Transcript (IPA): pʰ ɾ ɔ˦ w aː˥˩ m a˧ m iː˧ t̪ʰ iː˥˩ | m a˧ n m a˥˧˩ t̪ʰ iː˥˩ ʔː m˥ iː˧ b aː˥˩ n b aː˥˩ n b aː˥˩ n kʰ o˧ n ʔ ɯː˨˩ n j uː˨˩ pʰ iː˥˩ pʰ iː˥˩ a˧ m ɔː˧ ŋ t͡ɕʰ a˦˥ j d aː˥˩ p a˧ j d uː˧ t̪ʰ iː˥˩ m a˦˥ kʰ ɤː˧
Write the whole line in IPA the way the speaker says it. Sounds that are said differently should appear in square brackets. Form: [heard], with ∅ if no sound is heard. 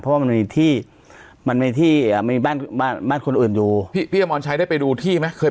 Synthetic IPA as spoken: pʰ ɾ ɔ˦ w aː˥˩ m a˧ m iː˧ t̪ʰ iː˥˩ | m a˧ n m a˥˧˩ t̪ʰ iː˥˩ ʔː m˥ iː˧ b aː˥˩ n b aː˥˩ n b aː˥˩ n kʰ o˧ n ʔ ɯː˨˩ n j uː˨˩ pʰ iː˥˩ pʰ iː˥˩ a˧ m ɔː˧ [n] t͡ɕʰ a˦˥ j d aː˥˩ p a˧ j d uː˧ t̪ʰ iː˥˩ m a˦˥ kʰ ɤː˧